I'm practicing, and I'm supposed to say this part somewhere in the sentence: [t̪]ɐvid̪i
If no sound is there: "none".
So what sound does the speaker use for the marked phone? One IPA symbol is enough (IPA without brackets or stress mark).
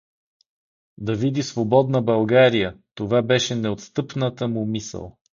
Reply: d̪